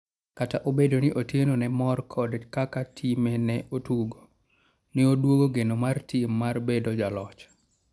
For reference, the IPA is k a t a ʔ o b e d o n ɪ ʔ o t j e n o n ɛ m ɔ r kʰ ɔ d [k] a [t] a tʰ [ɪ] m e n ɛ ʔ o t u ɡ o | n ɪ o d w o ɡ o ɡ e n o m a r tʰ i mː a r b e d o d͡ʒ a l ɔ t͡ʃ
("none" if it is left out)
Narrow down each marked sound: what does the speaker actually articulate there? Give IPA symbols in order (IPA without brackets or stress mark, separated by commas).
k, k, i